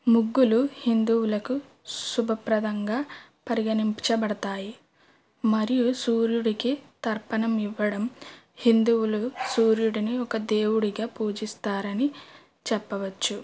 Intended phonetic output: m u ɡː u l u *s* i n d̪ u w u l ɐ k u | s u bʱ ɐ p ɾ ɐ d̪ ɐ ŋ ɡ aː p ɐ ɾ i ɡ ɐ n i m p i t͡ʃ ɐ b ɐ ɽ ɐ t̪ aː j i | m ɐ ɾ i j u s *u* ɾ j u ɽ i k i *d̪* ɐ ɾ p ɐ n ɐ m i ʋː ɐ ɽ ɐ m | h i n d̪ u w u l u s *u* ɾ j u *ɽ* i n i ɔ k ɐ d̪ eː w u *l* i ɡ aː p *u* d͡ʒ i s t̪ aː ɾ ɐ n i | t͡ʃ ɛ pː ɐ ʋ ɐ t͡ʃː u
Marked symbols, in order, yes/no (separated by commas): no, no, no, no, yes, no, no